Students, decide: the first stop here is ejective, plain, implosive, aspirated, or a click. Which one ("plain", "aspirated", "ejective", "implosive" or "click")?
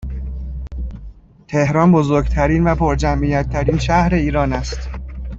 aspirated